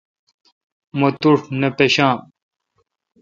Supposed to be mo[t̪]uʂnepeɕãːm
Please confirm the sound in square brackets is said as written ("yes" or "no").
yes